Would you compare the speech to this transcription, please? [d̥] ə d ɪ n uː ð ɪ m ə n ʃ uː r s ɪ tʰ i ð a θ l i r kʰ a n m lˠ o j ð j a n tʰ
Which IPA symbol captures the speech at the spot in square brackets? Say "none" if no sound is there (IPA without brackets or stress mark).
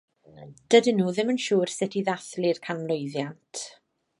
d̥